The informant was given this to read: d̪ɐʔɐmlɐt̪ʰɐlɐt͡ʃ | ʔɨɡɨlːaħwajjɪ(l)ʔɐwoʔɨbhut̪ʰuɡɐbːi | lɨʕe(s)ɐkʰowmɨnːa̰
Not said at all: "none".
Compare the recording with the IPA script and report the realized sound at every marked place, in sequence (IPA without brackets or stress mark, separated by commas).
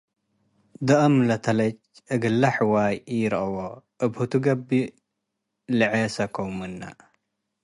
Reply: ɾ, s